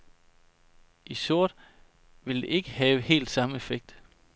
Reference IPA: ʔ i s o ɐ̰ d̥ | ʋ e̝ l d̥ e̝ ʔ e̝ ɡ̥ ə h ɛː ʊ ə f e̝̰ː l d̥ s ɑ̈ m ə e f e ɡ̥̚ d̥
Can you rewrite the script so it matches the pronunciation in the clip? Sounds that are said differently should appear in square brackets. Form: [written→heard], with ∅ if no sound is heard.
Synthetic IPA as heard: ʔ i s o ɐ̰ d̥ | ʋ e̝ l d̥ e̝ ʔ e̝ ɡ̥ ə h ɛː ʊ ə [f→h] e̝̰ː l d̥ s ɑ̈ m ə e f e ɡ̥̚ d̥